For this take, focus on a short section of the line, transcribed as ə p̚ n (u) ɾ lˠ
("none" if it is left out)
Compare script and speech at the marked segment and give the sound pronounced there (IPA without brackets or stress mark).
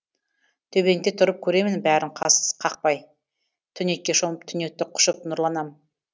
ʊ